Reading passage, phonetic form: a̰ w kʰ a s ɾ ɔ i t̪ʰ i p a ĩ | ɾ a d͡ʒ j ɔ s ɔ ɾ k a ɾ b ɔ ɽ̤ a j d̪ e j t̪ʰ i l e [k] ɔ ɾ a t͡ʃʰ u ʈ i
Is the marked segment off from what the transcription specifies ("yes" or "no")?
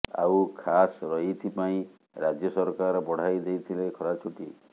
yes